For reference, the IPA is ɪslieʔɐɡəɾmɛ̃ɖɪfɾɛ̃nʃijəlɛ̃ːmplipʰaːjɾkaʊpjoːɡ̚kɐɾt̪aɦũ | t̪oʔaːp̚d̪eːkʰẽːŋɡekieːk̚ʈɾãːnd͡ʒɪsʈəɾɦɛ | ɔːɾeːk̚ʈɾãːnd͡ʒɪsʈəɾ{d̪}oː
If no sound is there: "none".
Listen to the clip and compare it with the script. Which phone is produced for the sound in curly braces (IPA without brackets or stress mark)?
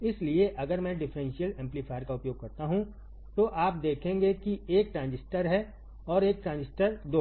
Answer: d̪